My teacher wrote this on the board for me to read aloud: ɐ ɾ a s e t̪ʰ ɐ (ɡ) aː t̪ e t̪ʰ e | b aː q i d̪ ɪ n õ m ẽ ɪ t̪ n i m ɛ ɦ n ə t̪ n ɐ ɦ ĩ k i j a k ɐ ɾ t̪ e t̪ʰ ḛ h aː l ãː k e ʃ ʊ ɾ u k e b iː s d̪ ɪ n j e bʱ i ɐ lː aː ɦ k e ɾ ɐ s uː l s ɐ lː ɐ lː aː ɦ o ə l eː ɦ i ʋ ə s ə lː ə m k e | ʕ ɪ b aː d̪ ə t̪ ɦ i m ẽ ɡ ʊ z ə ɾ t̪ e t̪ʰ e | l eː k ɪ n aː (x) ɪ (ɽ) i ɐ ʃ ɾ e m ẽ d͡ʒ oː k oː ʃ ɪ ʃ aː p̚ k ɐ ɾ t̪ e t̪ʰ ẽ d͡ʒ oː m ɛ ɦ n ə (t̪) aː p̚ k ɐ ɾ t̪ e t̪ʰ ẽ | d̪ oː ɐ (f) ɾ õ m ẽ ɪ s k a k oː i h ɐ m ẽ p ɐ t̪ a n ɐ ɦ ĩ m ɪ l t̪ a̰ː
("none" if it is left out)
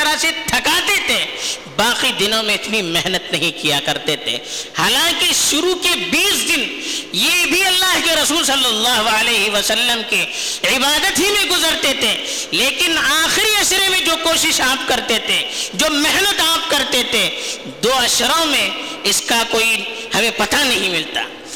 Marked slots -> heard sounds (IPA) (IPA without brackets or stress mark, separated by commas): k, x, ɾ, t̪, ʃ